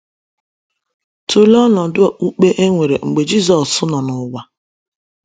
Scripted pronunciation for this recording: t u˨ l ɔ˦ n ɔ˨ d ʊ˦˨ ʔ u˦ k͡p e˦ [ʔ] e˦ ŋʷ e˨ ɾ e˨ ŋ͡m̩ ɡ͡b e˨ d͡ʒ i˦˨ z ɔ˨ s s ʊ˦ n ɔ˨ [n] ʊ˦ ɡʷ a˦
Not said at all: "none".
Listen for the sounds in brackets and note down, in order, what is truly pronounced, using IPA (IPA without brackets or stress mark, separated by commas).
ʔ, n